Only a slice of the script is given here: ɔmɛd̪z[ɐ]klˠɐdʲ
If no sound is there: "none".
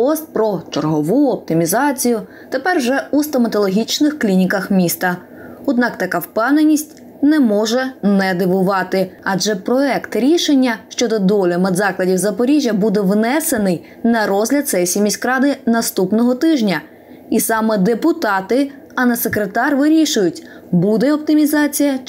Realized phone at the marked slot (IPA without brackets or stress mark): ɑ